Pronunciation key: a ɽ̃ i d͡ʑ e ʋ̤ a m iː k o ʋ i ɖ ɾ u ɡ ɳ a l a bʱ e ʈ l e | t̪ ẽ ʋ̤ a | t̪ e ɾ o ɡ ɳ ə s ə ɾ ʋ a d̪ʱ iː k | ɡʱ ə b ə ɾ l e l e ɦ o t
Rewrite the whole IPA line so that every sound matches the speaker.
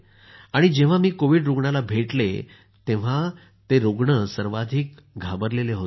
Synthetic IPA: a ɽ̃ i d͡ʑ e ʋ̤ a m iː k o ʋ i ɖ ɾ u ɡ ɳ a l a bʱ e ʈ l e | t̪ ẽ ʋ̤ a | t̪ e ɾ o ɡ ɳ ə s ə ɾ ʋ a d̪ʱ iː k | ɡʱ a b ə ɾ l e l e ɦ o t